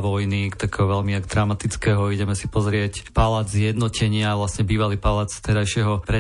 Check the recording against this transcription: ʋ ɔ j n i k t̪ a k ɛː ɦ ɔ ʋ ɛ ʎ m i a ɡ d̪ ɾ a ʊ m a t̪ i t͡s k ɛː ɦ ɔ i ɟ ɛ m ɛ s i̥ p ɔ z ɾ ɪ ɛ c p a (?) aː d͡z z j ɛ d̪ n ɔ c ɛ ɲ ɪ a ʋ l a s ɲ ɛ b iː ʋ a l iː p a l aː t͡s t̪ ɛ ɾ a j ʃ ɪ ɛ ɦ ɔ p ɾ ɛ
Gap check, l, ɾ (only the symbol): l